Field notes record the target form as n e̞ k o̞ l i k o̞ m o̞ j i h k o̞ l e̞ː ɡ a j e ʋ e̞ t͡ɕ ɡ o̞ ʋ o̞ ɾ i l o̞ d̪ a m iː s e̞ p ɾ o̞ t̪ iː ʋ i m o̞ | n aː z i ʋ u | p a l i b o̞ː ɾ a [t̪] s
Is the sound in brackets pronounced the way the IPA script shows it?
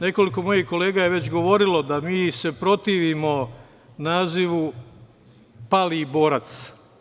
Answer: yes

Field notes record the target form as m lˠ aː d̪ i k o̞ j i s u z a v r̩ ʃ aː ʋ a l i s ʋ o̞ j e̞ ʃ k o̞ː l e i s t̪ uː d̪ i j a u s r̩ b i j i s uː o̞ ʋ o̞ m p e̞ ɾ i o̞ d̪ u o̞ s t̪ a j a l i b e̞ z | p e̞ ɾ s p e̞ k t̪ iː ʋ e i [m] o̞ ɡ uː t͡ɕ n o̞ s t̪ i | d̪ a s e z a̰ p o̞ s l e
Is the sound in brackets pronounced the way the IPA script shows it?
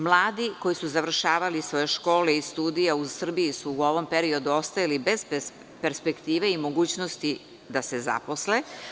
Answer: yes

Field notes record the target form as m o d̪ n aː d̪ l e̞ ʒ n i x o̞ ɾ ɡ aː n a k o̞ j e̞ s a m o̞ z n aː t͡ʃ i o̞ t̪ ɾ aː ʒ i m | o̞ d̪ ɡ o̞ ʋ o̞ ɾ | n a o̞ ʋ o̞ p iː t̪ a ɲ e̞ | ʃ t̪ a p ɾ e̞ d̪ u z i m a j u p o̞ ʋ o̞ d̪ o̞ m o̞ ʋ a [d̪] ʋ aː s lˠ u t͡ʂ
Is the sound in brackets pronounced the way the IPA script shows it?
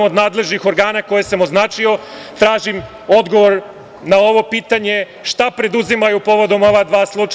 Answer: yes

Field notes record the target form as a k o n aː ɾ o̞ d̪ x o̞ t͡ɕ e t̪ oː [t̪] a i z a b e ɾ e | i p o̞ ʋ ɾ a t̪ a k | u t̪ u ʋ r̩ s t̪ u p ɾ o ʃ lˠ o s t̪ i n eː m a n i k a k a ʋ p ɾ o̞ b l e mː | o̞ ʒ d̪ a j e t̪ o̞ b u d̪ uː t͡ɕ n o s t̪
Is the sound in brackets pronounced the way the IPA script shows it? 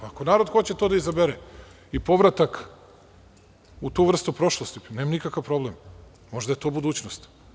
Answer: no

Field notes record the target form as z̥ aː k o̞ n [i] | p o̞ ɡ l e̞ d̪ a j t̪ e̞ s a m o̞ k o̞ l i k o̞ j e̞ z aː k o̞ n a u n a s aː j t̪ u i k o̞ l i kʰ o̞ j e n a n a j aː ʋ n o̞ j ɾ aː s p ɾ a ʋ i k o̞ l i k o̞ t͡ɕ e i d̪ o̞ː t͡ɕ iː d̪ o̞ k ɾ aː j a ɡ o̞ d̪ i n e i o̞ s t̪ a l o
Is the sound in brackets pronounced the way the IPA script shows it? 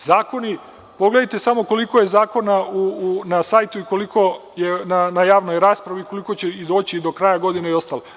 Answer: yes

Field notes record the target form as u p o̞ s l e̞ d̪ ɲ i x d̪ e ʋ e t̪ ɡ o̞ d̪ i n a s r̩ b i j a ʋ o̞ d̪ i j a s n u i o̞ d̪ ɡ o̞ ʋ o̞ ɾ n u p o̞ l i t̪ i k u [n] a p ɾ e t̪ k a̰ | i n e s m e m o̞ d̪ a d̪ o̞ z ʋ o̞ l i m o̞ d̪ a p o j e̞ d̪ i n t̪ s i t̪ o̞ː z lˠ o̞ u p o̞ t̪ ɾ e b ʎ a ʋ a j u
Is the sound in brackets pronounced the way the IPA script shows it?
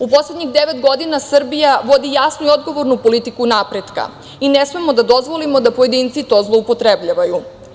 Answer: yes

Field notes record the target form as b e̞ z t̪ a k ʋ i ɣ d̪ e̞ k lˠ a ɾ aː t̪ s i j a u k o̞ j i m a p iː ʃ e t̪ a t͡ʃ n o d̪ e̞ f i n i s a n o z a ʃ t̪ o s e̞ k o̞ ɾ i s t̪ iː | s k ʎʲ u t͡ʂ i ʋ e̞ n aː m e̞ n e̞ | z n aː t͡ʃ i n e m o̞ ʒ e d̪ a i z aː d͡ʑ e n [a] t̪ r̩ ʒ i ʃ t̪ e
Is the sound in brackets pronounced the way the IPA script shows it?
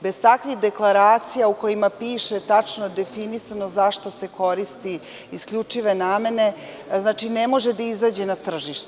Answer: yes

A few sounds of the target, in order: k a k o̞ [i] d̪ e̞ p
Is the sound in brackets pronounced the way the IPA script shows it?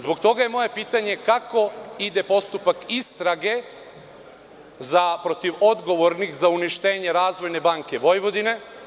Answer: yes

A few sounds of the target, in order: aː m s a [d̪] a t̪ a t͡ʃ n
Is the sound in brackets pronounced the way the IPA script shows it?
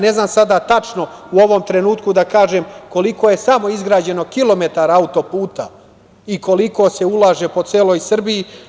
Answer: yes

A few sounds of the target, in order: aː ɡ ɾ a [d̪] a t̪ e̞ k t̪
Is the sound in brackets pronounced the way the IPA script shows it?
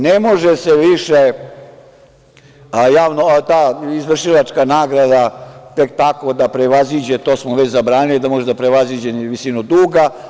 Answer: yes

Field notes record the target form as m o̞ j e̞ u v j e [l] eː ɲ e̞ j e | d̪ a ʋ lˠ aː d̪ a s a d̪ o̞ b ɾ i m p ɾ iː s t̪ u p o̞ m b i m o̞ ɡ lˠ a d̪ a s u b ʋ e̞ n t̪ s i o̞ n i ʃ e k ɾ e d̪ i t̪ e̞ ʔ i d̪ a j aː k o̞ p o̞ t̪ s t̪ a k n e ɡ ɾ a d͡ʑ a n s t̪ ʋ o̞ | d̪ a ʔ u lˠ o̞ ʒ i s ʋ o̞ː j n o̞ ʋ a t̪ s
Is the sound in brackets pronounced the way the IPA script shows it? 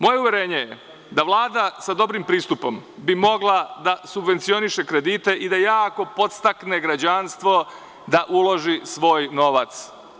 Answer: no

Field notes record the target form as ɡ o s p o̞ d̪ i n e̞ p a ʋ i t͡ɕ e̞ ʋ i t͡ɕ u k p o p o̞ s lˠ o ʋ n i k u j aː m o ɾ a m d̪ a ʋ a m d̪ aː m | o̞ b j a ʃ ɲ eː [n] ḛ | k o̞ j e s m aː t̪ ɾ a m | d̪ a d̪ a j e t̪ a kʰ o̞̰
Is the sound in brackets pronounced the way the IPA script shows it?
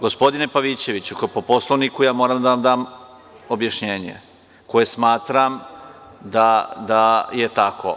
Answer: no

